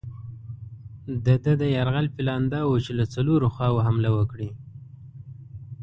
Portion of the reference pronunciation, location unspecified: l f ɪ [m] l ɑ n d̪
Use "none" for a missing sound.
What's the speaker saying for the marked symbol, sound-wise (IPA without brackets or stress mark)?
none